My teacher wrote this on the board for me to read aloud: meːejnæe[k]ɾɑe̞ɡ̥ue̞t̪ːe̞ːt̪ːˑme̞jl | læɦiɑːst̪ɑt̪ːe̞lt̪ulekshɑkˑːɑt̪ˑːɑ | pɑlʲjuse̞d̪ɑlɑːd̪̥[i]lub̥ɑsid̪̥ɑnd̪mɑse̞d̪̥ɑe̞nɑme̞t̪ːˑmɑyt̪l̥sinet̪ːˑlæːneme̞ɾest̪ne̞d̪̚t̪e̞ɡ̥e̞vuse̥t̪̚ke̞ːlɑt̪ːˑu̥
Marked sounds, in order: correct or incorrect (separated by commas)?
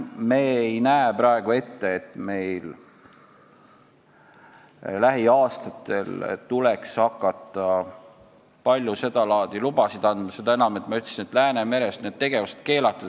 incorrect, correct